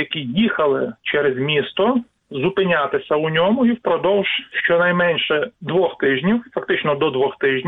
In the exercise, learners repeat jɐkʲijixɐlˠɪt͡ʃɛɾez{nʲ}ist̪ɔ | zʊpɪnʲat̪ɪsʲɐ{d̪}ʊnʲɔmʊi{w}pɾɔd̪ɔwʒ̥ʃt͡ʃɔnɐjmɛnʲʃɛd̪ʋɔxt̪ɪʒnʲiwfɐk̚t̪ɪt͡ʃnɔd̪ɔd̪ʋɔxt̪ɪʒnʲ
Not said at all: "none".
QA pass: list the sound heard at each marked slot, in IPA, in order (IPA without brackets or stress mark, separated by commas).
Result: mʲ, none, w